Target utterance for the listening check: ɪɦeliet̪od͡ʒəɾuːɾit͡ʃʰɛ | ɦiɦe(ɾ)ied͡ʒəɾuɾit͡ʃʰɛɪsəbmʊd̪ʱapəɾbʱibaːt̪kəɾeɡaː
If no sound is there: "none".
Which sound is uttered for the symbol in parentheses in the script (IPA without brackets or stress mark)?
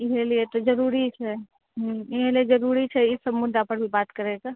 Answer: l